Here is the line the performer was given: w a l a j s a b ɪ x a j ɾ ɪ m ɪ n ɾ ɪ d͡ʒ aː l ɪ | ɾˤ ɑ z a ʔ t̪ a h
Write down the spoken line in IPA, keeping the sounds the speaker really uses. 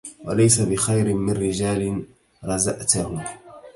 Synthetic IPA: w a l a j s a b ɪ x a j ɾ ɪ m ɪ n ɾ ɪ d͡ʒ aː l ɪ | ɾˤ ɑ z a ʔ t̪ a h